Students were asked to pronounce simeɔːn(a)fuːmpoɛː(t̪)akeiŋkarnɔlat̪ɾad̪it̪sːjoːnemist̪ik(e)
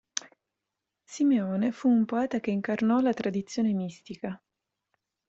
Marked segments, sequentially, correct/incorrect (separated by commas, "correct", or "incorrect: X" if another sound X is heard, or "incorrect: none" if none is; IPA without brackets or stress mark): incorrect: e, correct, incorrect: a